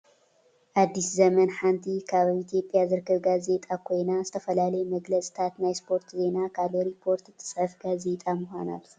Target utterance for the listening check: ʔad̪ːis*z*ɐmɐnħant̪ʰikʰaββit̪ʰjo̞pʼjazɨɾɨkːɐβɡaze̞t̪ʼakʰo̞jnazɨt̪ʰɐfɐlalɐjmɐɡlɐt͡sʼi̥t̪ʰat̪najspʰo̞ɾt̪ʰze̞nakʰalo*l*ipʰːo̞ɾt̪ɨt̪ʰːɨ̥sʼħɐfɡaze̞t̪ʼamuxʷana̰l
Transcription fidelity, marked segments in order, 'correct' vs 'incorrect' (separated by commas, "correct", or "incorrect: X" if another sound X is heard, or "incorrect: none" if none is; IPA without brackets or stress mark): correct, incorrect: ɾ